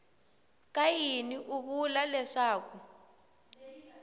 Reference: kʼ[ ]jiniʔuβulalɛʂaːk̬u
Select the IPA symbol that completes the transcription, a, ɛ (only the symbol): a